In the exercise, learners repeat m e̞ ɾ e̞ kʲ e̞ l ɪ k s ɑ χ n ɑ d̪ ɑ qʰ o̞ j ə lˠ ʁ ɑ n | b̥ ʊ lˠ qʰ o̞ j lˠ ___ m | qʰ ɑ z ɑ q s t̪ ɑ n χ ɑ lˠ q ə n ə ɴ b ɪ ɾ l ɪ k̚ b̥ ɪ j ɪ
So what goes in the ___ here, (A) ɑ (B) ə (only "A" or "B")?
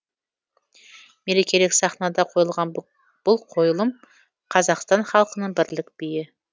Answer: B